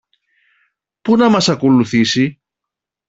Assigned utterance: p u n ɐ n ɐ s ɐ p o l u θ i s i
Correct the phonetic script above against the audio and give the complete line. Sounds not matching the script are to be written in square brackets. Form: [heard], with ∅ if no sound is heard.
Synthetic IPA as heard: p u n ɐ [m] ɐ s ɐ [k] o l u θ i s i